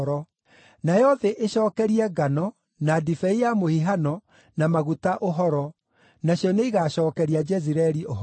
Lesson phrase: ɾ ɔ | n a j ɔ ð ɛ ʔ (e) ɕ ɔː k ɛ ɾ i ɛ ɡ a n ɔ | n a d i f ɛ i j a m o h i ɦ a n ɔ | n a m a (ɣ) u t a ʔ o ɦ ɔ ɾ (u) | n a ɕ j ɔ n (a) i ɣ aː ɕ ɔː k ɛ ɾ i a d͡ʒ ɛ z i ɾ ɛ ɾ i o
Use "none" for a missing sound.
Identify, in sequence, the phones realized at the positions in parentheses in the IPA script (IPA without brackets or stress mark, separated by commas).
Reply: e, ɣ, ɔ, e